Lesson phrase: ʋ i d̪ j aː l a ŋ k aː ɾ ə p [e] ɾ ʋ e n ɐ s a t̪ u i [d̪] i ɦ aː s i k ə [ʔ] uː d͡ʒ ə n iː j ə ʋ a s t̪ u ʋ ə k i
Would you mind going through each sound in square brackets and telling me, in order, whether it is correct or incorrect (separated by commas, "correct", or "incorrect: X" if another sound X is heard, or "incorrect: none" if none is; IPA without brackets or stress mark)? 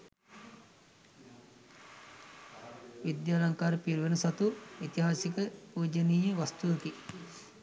incorrect: i, incorrect: t̪, incorrect: p